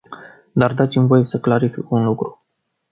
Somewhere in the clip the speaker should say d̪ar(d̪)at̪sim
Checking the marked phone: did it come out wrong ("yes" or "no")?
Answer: no